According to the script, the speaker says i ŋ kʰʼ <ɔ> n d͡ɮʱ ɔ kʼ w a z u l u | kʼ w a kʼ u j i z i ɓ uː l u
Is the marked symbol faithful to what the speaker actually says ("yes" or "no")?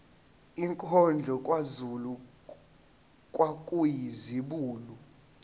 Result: yes